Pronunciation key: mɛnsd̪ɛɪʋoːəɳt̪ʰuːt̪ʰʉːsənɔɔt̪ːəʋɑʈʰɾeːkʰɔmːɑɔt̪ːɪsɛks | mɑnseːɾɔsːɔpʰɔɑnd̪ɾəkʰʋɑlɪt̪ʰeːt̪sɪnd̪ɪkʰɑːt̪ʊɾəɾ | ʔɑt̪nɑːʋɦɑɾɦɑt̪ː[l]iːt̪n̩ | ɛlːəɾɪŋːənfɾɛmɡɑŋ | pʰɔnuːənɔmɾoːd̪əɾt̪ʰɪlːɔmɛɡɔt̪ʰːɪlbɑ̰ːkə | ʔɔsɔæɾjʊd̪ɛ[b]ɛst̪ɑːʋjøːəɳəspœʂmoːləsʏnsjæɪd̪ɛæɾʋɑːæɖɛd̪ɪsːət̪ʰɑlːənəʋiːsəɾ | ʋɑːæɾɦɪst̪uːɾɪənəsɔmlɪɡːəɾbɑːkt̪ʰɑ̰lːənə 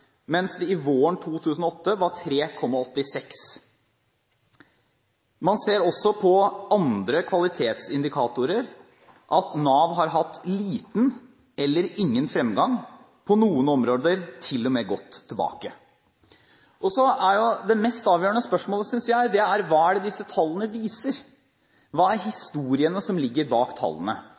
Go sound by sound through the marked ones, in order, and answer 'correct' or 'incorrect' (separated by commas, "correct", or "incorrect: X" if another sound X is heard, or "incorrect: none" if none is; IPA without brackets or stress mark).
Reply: correct, incorrect: m